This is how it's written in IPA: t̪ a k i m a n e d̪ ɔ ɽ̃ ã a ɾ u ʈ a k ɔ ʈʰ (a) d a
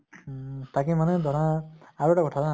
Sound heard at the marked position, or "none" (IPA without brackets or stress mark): a